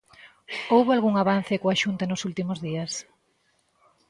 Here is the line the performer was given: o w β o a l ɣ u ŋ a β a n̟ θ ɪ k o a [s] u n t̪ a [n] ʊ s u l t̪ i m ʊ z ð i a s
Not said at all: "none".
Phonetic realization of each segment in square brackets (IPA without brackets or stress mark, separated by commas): ʃ, n